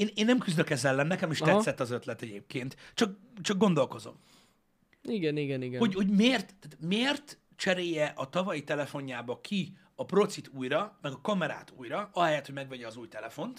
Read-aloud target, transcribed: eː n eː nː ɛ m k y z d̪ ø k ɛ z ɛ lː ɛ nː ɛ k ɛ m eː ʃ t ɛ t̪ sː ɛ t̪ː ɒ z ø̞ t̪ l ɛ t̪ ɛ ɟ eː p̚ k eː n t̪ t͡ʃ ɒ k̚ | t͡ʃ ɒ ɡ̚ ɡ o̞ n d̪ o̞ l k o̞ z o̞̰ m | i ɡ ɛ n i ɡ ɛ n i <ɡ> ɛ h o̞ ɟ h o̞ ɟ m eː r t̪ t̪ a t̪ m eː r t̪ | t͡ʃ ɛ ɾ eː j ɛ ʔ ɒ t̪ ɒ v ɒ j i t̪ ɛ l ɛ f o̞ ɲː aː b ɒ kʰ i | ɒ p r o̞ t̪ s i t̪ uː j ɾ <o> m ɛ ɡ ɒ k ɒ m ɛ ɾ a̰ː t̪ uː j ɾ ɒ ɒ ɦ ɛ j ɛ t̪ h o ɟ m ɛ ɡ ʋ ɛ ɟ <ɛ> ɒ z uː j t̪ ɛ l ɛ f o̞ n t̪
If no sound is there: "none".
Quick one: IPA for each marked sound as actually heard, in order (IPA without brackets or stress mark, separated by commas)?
ɡ, ɒ, ɛ